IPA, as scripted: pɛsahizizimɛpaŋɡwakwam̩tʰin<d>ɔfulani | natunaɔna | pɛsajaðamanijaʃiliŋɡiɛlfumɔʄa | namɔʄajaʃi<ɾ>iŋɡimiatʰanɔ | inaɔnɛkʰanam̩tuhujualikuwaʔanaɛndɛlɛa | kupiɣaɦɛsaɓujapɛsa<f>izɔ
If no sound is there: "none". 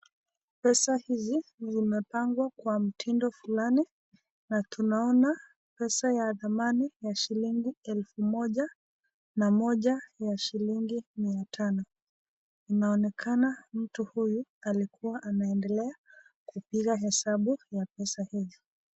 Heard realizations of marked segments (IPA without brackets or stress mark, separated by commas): d, l, h